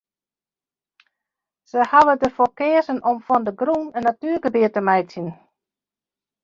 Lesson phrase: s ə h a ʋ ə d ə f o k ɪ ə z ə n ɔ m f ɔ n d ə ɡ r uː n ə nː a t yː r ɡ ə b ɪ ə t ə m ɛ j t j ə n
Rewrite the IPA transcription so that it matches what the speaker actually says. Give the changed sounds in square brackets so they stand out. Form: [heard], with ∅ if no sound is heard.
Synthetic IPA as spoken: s ə h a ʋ ə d ə f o k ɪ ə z ə n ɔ m f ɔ n d ə ɡ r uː n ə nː a t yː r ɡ ə b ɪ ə t ə m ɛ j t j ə n